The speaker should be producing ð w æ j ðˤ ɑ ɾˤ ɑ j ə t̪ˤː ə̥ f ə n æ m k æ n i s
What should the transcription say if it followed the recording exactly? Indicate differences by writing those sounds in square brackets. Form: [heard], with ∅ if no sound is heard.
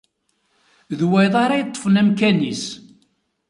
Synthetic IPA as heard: ð w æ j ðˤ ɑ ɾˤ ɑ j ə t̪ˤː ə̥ f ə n æ m k æ n i s